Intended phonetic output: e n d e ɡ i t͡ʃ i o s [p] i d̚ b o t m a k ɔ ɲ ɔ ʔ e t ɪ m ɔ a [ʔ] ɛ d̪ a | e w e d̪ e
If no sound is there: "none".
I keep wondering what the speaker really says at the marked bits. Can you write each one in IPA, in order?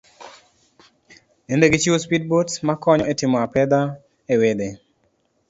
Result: p, p

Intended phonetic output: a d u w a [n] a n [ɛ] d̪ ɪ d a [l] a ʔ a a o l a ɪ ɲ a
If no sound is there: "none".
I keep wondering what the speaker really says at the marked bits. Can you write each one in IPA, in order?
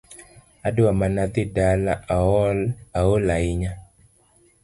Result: m, a, l

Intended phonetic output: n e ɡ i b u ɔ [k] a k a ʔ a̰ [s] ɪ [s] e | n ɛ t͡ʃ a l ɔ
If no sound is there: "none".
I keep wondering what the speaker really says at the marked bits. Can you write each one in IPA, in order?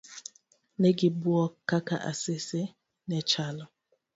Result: k, s, s

